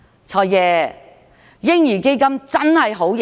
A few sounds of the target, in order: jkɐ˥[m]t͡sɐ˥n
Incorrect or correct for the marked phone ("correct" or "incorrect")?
correct